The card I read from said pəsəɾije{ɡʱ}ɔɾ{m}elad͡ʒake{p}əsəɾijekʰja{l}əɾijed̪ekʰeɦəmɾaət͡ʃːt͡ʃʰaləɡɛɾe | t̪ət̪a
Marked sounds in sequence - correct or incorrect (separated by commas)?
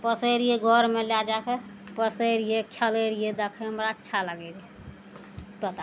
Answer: correct, correct, correct, correct